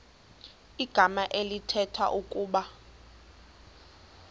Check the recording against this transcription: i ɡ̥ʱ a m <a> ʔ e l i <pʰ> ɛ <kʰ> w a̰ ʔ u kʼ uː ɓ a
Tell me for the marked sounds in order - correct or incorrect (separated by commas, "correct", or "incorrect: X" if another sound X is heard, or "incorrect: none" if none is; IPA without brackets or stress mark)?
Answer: correct, incorrect: tʰ, incorrect: tʰ